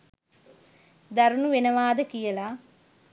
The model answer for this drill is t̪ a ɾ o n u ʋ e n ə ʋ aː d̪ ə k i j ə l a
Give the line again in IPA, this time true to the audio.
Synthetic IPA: d̪ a ɾ u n u ʋ e n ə ʋ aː d̪ ə k i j ə l a